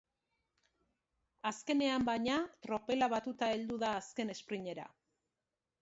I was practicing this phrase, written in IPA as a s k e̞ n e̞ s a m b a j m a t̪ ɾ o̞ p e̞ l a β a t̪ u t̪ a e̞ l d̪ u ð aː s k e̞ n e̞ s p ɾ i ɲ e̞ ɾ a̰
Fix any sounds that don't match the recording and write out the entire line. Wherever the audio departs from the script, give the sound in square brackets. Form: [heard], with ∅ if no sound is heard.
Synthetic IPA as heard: a s k e̞ n e̞ [∅] a m b a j [ɲ] a t̪ ɾ o̞ p e̞ l a β a t̪ u t̪ a e̞ l d̪ u ð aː s k e̞ n e̞ s p ɾ i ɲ e̞ ɾ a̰